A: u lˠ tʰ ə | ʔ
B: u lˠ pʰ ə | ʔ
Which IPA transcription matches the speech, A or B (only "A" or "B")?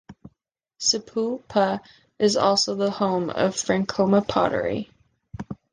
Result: B